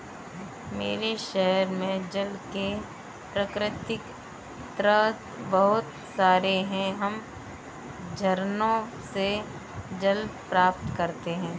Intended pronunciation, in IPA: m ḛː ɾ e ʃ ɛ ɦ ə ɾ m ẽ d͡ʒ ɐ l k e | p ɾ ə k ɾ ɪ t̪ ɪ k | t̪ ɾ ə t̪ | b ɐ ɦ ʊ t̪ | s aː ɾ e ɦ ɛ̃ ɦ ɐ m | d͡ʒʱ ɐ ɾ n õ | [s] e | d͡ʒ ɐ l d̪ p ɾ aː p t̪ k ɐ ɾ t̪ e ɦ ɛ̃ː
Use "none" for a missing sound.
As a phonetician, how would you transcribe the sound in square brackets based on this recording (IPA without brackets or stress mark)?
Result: s